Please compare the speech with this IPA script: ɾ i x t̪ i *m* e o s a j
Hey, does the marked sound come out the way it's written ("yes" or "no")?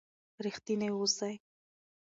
no